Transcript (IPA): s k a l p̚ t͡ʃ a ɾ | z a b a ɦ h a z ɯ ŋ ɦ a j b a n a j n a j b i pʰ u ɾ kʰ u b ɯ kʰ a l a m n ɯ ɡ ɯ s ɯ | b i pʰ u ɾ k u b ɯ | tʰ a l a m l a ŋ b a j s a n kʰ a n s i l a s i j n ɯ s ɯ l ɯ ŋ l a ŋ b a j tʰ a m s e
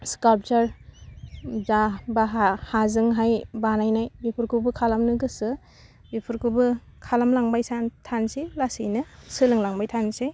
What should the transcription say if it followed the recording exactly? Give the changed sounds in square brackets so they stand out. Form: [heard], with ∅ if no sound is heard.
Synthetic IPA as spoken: s k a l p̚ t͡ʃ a ɾ | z a b a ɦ h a z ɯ ŋ ɦ a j b a n a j n a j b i pʰ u ɾ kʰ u b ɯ kʰ a l a m n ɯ ɡ ɯ s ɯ | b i pʰ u ɾ k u b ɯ | [kʰ] a l a m l a ŋ b a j s a n [tʰ] a n s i l a s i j n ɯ s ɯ l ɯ ŋ l a ŋ b a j tʰ a [n] s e